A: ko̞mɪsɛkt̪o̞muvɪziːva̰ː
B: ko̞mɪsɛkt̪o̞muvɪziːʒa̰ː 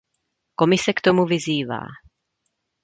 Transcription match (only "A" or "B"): A